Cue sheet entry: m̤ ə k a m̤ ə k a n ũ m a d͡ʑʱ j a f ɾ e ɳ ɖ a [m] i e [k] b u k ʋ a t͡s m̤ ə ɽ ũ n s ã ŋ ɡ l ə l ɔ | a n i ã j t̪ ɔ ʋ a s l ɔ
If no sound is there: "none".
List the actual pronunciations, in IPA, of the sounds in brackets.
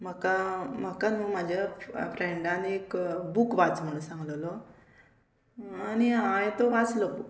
n, k

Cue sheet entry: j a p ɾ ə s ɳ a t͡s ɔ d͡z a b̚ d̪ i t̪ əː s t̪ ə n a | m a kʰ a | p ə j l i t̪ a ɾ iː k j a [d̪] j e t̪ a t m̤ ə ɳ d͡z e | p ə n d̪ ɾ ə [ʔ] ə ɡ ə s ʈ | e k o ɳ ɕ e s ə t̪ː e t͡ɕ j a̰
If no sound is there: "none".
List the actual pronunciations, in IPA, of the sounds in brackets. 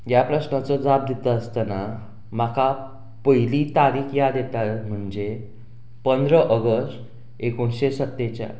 d̪, ʔ

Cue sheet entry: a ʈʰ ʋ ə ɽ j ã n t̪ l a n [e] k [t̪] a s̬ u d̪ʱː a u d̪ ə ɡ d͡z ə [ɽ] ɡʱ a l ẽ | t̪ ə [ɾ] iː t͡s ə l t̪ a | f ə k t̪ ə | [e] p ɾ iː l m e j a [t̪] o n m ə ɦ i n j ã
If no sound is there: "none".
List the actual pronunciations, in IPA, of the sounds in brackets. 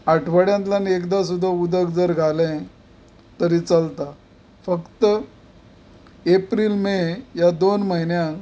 e, d̪, ɾ, ɾ, e, d̪

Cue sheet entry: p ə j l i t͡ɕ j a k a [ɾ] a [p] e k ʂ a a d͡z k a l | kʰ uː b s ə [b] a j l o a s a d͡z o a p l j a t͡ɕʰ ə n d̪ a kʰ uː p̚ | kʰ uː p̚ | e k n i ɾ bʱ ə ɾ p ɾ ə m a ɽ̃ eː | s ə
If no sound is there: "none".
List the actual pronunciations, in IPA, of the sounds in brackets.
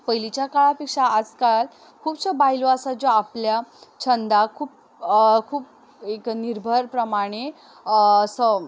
ɭ, p, b

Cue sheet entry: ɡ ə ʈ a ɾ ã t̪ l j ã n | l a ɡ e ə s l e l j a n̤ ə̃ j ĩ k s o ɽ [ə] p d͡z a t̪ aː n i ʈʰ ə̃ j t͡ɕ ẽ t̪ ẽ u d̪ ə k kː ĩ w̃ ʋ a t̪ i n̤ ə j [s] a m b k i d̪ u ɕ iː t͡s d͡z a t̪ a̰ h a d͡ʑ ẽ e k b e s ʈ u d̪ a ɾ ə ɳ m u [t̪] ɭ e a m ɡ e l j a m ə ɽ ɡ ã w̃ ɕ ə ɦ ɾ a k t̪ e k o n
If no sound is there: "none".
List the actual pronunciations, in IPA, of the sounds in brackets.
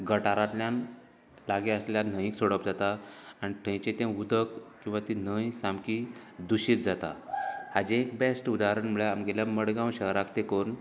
ə, s, none

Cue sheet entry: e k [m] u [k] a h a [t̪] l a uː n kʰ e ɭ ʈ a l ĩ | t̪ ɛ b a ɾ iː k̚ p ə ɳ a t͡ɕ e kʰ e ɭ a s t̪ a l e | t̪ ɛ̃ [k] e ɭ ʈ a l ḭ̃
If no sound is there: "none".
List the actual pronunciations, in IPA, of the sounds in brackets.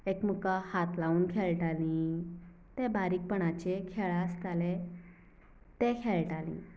m, k, t̪, kʰ

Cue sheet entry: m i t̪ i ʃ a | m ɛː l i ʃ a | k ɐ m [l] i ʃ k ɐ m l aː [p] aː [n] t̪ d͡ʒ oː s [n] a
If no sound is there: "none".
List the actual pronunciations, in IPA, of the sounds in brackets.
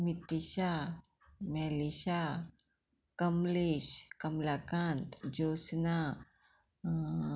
l, k, n, n

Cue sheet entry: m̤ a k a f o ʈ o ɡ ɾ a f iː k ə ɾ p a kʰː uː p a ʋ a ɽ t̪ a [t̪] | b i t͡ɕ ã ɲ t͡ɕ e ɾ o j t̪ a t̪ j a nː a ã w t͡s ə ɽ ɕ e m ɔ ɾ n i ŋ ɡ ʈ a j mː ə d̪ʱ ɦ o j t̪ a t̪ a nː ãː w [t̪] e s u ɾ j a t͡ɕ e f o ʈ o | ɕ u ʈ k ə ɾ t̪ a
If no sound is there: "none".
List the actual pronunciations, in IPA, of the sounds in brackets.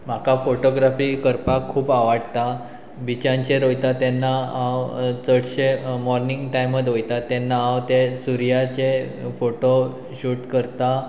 none, t̪

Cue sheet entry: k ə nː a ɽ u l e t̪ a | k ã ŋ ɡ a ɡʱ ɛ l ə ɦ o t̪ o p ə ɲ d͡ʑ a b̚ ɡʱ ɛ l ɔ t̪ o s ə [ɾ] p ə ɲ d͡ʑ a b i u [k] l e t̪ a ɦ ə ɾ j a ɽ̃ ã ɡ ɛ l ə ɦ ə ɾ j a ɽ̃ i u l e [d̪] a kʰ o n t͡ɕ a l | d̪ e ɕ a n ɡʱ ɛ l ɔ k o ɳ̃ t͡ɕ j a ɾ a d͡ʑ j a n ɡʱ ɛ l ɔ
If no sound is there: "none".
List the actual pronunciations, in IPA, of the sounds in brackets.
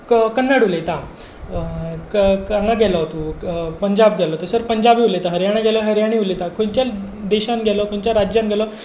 ɾ, none, t̪

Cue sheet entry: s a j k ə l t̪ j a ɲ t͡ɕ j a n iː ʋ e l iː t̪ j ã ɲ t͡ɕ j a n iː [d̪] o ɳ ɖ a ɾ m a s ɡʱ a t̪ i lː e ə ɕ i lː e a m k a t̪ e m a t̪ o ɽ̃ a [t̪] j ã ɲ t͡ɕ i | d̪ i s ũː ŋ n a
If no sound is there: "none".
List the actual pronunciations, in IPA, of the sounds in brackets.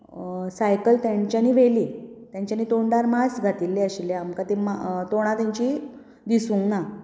t̪, t̪

